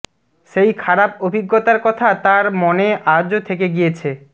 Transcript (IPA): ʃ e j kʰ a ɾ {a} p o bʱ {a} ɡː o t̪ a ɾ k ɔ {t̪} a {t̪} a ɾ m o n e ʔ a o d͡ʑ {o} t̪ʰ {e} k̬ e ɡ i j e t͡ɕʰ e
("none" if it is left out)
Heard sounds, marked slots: a, i, t̪ʰ, t̪, o, e

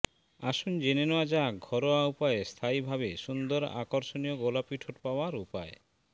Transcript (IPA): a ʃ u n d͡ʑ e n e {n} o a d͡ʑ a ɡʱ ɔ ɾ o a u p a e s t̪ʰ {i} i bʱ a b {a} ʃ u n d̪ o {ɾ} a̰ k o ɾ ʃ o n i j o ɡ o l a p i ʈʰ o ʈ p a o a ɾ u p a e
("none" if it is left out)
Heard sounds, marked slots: n, a, e, ɾ

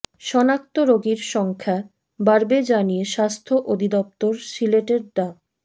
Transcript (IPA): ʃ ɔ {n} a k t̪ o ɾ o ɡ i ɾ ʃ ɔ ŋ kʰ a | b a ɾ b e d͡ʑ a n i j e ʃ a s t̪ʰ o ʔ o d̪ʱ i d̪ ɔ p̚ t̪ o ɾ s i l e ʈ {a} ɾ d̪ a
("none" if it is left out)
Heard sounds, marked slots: n, e

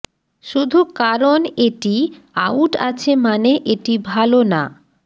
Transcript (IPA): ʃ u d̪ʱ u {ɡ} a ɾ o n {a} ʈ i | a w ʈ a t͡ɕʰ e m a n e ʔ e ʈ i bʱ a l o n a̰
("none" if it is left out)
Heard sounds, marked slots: k, e

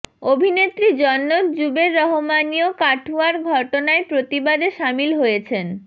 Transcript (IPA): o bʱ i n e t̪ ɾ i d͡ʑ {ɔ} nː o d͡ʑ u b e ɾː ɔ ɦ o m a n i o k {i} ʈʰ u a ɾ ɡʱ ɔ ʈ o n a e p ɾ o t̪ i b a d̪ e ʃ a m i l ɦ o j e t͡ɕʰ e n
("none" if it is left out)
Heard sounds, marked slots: ɔ, a

